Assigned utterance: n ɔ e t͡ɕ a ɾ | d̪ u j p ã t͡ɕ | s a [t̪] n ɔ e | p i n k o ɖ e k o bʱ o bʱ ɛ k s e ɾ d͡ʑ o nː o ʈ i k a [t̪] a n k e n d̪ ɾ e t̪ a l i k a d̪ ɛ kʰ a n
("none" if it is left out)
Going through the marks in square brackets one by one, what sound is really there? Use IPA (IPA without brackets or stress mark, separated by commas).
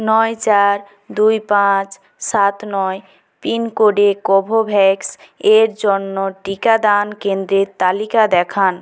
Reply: t̪, d̪